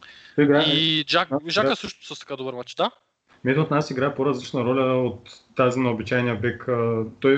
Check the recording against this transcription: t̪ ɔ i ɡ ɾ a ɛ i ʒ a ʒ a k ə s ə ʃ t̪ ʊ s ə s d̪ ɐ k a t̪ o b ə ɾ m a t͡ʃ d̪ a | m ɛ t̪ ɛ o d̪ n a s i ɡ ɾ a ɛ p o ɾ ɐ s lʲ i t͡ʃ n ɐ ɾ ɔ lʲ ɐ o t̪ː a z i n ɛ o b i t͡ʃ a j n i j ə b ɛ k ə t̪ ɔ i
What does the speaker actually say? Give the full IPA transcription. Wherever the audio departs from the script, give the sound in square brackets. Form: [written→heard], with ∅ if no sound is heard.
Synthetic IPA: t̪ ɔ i ɡ ɾ a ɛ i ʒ a ʒ a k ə s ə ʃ t̪ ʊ s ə s [d̪→t̪] ɐ k a [t̪→d̪] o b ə ɾ m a t͡ʃ d̪ a | m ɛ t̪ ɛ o [d̪→t̪] n a s i ɡ ɾ a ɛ p o ɾ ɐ [s→z] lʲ i t͡ʃ n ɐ ɾ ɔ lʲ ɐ o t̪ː a z i n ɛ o b i t͡ʃ a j n i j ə b ɛ k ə t̪ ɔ [i→j]